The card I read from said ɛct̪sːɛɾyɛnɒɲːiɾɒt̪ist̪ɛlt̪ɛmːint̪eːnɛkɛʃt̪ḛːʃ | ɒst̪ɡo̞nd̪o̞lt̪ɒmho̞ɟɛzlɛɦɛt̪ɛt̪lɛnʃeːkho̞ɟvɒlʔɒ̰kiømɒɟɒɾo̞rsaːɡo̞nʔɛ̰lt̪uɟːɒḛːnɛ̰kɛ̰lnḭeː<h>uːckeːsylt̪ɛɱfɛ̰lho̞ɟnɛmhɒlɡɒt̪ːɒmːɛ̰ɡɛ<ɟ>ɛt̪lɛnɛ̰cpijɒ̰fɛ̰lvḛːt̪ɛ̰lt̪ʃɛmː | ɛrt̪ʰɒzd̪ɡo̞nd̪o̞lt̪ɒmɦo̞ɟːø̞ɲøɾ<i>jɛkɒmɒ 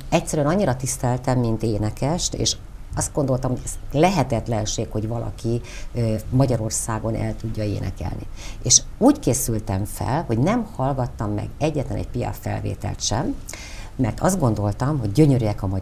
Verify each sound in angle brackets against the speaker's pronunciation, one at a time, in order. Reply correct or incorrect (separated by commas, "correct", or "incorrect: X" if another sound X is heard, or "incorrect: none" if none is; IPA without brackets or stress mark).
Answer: incorrect: ʃ, incorrect: ɟː, incorrect: y